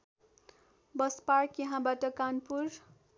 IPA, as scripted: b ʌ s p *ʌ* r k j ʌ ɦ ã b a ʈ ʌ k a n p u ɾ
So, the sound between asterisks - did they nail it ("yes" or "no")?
no